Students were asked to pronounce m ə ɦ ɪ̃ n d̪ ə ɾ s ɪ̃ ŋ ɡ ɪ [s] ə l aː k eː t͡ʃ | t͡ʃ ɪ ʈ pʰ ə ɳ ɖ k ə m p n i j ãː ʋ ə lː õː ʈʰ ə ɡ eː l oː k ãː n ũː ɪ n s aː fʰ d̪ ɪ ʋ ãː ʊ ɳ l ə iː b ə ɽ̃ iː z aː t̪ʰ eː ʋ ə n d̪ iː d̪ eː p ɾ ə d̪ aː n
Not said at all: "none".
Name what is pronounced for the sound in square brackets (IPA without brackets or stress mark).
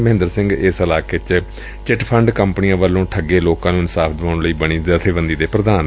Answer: s